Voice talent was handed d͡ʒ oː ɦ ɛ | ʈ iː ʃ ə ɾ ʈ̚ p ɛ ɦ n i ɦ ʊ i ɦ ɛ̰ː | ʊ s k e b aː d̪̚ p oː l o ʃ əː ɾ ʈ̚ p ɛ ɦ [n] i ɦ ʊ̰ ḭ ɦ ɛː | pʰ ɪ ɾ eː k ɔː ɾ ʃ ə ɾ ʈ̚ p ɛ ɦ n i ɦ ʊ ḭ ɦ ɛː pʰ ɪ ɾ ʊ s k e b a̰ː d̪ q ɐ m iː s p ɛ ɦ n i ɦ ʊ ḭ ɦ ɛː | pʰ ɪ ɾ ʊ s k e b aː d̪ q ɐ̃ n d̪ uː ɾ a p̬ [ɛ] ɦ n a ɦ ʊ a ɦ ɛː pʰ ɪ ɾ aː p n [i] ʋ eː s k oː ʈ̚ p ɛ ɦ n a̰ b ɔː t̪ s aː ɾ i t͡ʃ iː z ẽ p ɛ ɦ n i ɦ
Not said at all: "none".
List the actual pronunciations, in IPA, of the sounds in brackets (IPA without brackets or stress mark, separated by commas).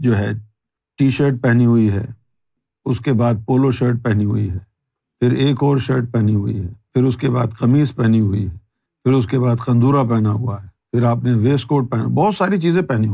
n, ɛ, e